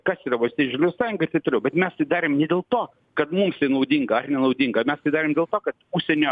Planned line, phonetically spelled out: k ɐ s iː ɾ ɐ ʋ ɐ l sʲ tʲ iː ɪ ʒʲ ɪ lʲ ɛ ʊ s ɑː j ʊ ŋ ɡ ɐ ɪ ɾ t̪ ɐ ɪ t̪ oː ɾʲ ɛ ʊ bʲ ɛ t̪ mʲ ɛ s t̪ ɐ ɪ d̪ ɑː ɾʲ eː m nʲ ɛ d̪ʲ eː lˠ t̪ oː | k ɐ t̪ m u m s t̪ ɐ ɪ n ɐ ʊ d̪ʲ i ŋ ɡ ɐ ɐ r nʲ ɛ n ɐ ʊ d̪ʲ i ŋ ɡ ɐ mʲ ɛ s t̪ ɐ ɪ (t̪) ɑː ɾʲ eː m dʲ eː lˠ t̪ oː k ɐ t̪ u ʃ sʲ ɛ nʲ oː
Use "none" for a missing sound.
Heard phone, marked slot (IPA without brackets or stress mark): d̪